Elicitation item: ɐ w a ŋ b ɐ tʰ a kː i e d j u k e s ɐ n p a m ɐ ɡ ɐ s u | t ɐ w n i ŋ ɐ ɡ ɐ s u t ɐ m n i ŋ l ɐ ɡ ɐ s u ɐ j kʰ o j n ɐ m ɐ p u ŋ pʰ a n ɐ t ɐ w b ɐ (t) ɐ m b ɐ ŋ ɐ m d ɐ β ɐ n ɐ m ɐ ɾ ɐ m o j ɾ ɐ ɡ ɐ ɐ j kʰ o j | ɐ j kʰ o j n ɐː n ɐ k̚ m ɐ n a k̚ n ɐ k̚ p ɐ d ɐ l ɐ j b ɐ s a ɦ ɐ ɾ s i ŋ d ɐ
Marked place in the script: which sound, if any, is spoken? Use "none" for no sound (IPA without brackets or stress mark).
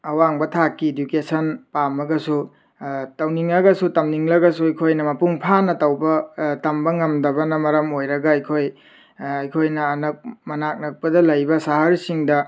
t